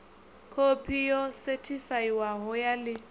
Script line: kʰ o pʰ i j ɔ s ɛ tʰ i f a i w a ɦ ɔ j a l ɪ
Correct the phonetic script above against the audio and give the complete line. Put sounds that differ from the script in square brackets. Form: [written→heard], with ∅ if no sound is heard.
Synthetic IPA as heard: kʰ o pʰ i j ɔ s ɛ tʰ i f a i w a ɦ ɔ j a l ɪ